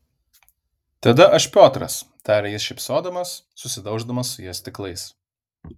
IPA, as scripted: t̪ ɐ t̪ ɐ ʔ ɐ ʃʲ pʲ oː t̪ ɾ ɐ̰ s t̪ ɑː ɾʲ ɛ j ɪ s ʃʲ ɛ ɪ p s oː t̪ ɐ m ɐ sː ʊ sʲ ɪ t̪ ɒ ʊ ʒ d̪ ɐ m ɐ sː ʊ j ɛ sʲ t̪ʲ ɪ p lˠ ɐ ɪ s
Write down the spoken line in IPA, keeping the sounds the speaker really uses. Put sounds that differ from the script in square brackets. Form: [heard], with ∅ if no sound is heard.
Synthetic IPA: t̪ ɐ [d̪] ɐ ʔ ɐ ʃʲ pʲ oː t̪ ɾ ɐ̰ s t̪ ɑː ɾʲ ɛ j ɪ s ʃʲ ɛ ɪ p s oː [d̪] ɐ m ɐ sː ʊ sʲ ɪ [d̪] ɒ ʊ ʒ d̪ ɐ m ɐ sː ʊ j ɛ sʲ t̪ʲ ɪ [k] lˠ ɐ ɪ s